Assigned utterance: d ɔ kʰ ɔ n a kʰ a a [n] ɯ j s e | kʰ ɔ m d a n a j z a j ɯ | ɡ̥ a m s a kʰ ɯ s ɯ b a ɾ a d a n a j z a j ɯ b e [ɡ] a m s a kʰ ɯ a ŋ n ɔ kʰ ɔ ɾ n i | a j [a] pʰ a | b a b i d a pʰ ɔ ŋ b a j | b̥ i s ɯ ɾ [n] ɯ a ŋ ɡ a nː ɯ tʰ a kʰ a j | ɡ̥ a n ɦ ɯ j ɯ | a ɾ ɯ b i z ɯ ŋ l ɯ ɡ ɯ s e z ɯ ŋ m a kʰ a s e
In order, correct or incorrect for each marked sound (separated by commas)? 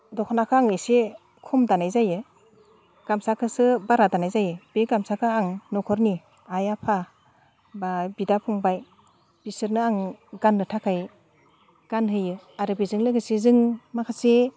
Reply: incorrect, correct, correct, correct